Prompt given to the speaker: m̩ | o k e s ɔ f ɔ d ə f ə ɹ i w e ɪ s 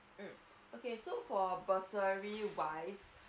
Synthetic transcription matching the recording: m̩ | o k e s o f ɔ b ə s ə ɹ i w a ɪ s